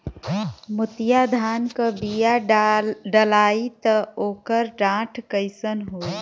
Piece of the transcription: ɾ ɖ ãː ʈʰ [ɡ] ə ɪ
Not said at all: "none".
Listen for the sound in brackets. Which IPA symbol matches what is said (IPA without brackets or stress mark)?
k